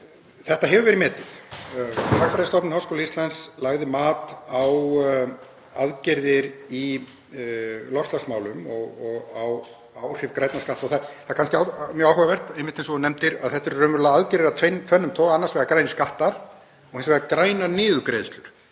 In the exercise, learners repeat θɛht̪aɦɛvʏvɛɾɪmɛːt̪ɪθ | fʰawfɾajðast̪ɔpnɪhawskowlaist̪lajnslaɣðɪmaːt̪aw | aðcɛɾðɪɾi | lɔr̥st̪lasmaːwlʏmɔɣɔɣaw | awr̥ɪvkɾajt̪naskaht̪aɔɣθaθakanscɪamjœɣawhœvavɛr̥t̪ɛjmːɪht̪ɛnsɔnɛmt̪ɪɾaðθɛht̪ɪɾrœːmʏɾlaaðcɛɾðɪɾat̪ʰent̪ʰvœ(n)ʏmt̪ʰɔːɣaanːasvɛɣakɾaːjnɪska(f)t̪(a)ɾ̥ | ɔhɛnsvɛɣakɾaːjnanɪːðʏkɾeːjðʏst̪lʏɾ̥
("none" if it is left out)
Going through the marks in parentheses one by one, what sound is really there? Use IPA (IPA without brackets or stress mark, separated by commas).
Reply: nː, h, a